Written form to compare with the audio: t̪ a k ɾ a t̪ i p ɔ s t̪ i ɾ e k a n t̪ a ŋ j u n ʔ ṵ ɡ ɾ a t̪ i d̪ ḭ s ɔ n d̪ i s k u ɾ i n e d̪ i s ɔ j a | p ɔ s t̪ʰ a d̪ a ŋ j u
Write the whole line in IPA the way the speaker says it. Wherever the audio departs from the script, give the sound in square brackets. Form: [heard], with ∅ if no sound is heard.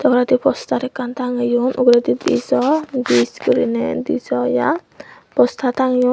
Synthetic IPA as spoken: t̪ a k ɾ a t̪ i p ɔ s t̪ [a] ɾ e k a n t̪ a ŋ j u n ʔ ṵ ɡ ɾ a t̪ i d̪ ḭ s ɔ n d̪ i s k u ɾ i n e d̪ i s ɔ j a | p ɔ s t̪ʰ a [t̪] a ŋ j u